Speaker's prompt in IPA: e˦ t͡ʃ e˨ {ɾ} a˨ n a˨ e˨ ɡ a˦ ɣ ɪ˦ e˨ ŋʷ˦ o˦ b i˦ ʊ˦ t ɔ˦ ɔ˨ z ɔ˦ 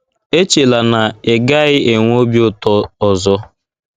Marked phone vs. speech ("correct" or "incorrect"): incorrect